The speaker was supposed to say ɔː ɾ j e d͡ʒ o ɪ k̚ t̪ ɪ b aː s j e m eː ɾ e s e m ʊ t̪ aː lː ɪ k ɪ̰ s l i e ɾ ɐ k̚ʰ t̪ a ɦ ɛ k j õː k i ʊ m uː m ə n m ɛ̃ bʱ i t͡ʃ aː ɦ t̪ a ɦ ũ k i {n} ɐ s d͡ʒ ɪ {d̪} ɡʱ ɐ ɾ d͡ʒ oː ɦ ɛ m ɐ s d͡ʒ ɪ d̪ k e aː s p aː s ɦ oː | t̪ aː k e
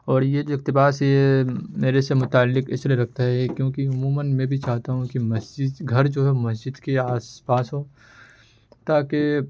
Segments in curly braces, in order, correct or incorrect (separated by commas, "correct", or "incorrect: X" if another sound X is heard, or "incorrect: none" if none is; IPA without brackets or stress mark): incorrect: m, correct